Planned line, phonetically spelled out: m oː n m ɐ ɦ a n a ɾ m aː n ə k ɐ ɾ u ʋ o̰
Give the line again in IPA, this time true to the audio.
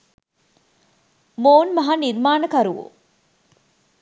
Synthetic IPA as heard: m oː n m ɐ ɦ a n i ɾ m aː n ə k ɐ ɾ u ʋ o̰